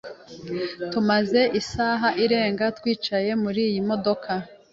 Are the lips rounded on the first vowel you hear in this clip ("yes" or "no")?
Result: yes